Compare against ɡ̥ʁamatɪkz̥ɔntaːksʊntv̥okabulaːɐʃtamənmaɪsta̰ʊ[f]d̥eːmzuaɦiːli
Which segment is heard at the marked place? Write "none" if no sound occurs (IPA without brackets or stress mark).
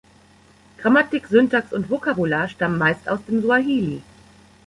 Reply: s